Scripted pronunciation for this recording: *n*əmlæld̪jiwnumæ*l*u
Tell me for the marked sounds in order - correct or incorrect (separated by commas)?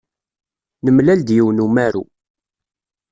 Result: correct, incorrect